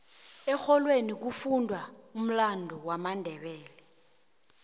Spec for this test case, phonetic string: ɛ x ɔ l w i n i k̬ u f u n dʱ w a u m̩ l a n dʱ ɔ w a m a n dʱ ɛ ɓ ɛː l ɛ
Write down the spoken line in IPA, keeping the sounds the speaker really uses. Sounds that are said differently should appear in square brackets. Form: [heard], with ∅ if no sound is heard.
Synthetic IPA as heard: ɛ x ɔ l w [e] n i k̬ u f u n dʱ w a u m̩ l a n dʱ ɔ w a m a n dʱ ɛ ɓ ɛː l ɛ